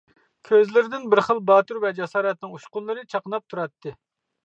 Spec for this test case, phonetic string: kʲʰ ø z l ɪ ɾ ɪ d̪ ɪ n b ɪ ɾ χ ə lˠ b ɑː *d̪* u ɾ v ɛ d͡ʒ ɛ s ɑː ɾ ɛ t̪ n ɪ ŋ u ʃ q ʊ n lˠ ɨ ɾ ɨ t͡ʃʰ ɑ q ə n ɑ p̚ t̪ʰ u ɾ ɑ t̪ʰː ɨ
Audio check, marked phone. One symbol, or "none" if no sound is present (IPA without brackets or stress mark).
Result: t̪